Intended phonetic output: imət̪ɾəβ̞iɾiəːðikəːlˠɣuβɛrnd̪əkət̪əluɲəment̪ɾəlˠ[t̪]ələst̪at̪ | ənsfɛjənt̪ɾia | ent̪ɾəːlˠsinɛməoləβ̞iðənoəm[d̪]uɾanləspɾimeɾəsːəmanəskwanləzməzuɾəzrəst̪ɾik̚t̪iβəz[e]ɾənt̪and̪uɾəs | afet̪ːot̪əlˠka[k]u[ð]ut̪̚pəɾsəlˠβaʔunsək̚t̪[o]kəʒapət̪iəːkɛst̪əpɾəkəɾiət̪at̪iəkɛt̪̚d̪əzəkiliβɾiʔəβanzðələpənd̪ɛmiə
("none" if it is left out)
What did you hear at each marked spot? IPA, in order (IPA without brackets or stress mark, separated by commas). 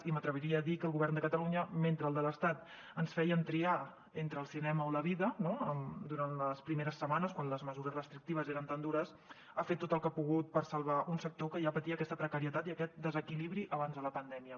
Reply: d̪, d̪, e, p, ɣ, o